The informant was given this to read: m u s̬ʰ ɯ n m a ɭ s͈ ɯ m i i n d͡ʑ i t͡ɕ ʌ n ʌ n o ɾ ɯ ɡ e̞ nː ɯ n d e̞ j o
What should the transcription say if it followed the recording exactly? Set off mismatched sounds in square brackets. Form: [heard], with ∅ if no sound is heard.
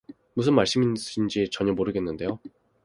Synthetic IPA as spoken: m u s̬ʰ ɯ n m a ɭ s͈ ɯ m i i n d͡ʑ i t͡ɕ ʌ [ɲ] ʌ [m] o ɾ ɯ ɡ e̞ nː ɯ n d e̞ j o